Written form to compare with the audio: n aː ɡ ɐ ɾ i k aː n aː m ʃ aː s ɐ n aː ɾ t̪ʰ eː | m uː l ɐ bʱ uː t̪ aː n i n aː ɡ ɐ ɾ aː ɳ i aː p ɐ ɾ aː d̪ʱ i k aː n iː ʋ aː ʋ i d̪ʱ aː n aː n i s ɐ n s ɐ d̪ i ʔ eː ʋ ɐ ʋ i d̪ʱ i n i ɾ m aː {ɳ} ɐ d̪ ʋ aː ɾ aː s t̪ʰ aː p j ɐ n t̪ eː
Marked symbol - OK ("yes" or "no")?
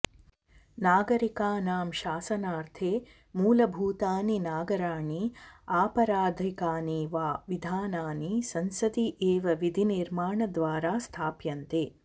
yes